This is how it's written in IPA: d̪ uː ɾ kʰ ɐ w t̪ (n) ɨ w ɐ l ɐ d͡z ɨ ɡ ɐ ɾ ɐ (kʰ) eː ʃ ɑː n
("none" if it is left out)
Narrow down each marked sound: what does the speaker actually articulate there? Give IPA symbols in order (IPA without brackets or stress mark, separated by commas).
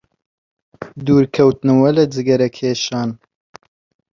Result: n, kʰ